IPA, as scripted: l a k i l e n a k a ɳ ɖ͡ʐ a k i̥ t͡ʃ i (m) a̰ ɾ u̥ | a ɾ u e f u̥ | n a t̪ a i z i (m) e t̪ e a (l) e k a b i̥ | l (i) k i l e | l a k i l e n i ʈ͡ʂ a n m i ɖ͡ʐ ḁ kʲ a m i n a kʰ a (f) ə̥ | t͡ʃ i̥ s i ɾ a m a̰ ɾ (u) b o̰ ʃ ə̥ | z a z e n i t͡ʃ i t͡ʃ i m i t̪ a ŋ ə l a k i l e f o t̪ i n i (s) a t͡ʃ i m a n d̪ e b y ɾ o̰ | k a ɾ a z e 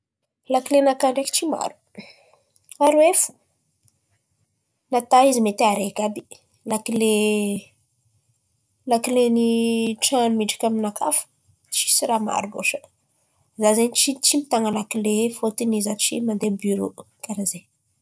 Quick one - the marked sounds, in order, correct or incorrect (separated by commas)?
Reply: correct, correct, incorrect, incorrect, correct, correct, incorrect